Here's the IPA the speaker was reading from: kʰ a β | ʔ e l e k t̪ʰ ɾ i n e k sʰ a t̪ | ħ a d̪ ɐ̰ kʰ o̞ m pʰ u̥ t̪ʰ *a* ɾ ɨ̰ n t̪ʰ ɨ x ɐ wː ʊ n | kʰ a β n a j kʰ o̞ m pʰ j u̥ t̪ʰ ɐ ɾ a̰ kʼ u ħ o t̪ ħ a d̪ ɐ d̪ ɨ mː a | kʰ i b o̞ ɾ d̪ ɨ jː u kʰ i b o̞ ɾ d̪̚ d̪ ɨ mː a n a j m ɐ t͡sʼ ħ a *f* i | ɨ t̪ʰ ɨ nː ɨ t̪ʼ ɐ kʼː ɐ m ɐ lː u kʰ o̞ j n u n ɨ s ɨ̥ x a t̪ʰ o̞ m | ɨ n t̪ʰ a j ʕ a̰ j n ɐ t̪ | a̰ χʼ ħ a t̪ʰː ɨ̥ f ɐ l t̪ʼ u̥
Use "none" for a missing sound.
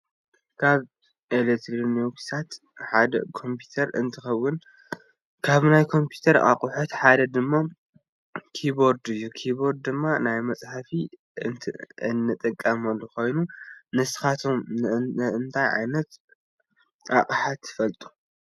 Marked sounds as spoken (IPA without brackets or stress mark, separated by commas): ɐ, f